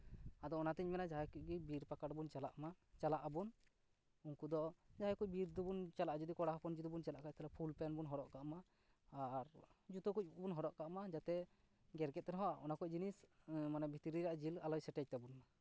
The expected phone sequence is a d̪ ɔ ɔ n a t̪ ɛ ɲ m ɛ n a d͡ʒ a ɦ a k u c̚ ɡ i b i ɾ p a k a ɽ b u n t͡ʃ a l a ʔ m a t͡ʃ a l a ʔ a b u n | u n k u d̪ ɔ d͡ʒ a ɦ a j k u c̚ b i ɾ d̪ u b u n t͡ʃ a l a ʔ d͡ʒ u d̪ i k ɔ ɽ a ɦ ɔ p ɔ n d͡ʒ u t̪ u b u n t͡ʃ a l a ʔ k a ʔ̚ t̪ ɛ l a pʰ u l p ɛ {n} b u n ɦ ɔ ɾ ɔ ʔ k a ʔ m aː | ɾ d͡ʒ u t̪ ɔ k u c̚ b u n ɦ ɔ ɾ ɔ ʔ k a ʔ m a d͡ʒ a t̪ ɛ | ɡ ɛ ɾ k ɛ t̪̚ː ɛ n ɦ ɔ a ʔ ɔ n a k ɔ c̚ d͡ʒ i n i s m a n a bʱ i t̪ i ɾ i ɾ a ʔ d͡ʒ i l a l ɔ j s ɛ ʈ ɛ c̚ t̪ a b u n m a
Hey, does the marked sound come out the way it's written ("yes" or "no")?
yes